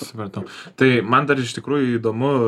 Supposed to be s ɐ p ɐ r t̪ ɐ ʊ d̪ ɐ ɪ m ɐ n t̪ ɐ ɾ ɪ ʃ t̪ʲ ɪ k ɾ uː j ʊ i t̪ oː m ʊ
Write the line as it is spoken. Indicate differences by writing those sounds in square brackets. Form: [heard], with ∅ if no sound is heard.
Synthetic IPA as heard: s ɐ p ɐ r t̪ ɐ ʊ [t̪] ɐ ɪ m ɐ n [d̪] ɐ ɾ ɪ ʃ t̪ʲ ɪ k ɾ uː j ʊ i [d̪] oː m ʊ